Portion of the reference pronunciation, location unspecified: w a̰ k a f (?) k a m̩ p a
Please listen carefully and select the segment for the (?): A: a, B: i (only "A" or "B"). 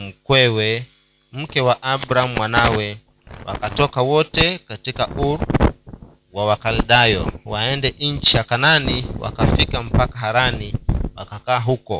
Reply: B